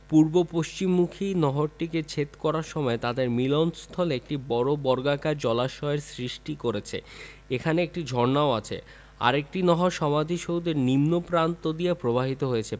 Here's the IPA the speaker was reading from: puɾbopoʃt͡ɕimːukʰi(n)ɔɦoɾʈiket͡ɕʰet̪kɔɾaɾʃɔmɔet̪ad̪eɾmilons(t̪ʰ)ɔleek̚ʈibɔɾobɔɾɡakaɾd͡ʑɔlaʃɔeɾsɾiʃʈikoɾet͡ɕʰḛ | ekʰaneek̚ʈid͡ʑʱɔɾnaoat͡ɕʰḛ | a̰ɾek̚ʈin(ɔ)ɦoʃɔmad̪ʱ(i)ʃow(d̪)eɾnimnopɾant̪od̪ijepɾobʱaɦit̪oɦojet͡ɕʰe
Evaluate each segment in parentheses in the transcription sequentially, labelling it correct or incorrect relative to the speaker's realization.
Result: correct, correct, correct, correct, correct

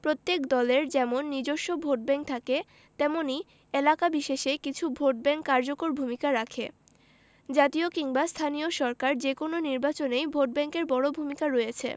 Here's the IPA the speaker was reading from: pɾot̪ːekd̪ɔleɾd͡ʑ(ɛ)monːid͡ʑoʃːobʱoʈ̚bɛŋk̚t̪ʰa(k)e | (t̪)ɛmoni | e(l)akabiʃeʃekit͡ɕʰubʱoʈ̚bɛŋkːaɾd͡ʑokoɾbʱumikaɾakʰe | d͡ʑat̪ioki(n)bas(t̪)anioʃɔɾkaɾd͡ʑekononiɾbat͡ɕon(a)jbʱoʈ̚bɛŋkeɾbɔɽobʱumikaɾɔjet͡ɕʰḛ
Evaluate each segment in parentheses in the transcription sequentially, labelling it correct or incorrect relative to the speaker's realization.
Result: correct, correct, correct, correct, incorrect, incorrect, incorrect

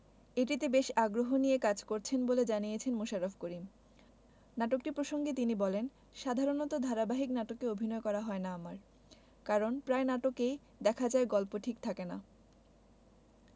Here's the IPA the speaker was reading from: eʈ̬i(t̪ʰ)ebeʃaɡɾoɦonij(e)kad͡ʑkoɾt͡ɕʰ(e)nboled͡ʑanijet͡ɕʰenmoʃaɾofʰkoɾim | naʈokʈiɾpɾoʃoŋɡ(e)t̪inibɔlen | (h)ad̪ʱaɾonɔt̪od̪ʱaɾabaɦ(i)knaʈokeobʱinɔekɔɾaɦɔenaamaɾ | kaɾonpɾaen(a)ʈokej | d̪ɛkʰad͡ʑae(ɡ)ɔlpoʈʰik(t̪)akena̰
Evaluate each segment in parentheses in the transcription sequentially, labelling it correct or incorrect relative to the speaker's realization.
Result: incorrect, correct, correct, correct, incorrect, correct, correct, correct, incorrect

